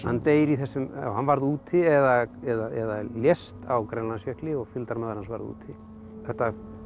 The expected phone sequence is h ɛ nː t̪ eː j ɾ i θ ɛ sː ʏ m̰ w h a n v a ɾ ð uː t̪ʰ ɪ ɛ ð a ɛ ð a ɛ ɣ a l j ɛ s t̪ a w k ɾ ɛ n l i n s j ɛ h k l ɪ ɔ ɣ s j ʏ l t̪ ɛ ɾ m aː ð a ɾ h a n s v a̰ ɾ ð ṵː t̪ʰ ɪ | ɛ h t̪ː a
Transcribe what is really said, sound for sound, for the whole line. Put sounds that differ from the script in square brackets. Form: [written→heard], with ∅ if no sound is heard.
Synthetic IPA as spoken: h [ɛ→a] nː t̪ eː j ɾ i θ ɛ sː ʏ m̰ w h a n v a ɾ ð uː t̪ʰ ɪ ɛ ð a ɛ ð a ɛ [ɣ→ð] a l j ɛ s t̪ a w k ɾ ɛ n l [i→a] n s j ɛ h k l ɪ ɔ ɣ [s→f] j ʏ l t̪ [ɛ→a] ɾ m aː ð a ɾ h a n s v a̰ ɾ ð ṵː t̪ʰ ɪ | ɛ h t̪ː a